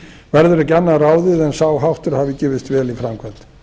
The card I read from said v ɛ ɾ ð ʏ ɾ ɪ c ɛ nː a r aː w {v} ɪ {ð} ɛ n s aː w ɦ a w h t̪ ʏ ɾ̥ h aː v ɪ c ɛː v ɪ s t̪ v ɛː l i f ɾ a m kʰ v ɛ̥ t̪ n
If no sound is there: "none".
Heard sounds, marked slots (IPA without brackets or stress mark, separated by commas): ð, ð